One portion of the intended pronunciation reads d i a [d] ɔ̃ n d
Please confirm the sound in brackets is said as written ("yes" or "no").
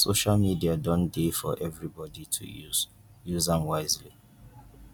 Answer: yes